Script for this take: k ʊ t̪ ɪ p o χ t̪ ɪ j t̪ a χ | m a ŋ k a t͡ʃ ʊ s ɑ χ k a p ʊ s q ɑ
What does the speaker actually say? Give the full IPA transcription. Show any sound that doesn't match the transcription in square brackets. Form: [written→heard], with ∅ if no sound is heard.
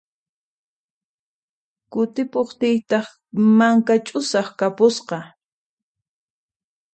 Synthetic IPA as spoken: k ʊ t̪ ɪ p o χ t̪ ɪ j t̪ [a→ɑ] χ | m a ŋ k a [t͡ʃ→t͡ʃʼ] ʊ s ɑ χ k a p ʊ s q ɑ